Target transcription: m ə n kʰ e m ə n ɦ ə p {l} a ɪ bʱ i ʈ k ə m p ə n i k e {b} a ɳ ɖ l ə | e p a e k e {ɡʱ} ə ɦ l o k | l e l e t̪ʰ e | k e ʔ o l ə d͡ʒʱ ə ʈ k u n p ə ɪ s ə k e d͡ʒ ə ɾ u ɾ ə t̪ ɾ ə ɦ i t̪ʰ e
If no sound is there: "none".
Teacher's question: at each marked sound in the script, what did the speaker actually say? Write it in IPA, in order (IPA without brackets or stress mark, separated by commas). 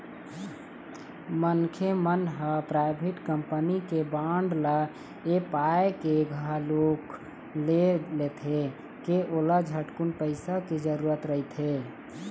ɾ, b, ɡʱ